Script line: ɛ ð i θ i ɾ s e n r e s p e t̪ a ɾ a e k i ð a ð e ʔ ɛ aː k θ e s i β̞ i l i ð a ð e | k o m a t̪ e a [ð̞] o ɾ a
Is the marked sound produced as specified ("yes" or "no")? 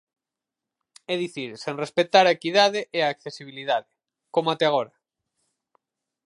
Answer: no